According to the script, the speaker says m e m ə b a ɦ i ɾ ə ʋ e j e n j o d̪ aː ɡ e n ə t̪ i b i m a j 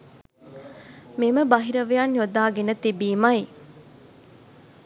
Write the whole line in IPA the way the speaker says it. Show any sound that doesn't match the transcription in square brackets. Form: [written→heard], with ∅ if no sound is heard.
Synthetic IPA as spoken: m e m ə b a ɦ i ɾ ə ʋ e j [e→a] n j o d̪ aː ɡ e n ə t̪ i b [i→iː] m a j